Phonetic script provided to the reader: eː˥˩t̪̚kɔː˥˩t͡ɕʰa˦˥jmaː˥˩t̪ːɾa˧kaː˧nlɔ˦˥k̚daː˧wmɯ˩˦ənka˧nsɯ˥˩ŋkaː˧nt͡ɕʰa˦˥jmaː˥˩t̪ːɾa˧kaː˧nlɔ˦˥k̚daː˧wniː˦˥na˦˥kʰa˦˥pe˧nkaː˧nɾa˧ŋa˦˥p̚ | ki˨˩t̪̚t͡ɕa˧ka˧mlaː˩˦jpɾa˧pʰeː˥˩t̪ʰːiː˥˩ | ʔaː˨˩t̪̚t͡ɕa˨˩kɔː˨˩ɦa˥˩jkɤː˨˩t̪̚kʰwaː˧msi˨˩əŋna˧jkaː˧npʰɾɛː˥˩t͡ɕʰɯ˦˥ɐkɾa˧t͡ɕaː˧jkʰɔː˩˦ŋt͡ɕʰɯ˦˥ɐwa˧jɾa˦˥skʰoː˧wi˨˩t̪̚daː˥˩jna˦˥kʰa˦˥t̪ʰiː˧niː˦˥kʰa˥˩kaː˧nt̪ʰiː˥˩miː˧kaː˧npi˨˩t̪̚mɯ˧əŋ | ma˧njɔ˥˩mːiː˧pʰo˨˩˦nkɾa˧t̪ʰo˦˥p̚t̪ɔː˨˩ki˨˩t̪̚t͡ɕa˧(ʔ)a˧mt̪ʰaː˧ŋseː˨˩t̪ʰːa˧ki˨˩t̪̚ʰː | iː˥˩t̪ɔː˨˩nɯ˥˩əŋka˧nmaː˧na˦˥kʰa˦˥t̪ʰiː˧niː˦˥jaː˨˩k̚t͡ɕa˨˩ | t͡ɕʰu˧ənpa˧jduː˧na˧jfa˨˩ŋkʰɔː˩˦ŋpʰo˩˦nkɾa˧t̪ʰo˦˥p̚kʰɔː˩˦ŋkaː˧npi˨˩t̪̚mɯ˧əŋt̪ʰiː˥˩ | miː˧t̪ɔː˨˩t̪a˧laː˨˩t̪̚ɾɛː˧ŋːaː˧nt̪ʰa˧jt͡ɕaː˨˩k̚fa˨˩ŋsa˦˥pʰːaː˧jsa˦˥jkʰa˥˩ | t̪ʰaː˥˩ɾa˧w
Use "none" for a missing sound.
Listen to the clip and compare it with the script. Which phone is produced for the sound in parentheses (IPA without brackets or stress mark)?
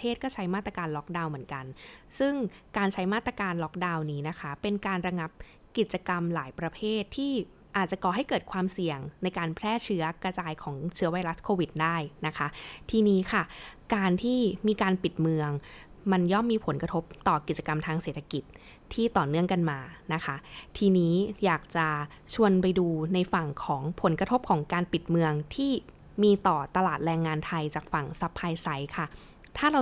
k